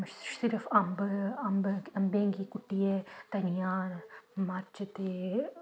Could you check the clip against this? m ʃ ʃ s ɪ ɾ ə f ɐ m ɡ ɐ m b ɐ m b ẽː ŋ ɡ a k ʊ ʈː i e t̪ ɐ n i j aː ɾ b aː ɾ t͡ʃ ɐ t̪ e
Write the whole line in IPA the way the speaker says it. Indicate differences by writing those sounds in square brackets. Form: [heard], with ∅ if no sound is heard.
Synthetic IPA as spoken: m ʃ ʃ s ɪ ɾ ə f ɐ m [b] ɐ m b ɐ m b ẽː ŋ ɡ [i] k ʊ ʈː i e t̪ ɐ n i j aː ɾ [m] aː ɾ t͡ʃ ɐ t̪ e